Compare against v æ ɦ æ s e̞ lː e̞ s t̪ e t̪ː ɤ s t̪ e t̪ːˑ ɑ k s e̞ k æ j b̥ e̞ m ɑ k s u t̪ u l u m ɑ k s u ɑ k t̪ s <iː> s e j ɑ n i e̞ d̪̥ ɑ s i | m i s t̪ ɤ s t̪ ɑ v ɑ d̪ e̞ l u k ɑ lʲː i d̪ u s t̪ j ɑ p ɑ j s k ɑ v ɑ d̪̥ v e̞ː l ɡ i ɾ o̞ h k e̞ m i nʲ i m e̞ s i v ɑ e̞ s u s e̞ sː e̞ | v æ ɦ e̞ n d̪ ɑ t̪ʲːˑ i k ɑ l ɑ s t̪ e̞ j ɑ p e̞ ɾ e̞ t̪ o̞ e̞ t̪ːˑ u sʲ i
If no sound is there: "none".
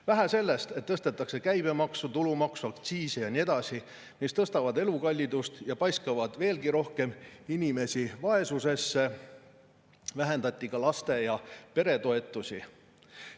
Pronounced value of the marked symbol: iː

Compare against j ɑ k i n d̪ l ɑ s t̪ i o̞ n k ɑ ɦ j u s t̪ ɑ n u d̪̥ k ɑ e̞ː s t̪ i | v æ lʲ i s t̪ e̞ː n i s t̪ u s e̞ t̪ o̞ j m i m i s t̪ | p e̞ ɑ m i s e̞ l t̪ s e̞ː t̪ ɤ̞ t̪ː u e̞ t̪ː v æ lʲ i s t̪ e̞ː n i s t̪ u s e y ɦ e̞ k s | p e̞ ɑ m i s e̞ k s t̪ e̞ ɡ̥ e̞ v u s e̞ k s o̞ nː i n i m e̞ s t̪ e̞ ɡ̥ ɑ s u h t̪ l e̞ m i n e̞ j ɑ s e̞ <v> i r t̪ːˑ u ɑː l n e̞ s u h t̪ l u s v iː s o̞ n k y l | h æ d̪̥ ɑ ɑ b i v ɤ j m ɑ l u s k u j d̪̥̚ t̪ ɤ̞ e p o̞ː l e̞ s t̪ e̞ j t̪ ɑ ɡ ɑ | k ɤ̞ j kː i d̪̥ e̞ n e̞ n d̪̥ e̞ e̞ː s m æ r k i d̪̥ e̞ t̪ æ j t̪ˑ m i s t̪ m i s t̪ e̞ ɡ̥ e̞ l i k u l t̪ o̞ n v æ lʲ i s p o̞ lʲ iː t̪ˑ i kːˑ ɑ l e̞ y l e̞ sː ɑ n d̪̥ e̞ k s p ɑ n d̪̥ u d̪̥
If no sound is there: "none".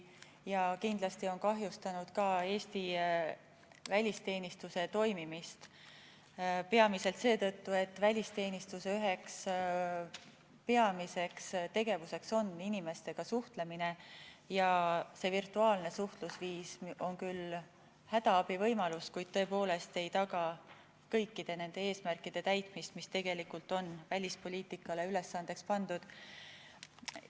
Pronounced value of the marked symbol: v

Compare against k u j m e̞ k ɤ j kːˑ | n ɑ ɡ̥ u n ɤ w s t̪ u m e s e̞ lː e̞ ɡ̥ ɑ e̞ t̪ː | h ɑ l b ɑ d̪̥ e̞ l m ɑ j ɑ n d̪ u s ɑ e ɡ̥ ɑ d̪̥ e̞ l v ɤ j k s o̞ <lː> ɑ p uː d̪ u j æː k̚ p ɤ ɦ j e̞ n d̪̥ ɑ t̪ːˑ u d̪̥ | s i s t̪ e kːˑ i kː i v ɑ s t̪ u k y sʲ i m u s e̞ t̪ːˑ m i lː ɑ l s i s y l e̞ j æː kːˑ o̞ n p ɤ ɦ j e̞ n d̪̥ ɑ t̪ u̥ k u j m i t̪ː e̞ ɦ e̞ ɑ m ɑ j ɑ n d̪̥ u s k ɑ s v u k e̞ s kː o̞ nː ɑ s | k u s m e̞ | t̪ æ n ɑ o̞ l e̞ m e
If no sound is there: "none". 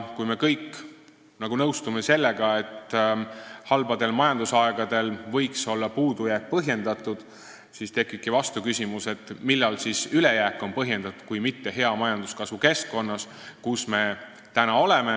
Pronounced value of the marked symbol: lː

